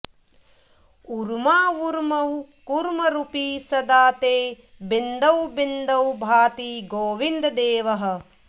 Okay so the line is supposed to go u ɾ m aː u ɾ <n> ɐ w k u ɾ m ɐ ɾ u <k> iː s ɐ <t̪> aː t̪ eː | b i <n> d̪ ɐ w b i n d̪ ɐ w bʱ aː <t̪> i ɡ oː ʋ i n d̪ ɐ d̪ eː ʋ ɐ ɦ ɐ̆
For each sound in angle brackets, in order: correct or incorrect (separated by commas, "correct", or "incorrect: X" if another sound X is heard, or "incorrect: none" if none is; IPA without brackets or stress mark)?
incorrect: m, incorrect: p, incorrect: d̪, correct, correct